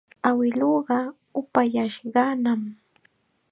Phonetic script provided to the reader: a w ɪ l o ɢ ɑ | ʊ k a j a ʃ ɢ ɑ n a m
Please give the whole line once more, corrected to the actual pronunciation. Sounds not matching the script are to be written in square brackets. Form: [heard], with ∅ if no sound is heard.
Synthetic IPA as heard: a w ɪ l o ɢ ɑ | ʊ [p] a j a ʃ ɢ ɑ n a m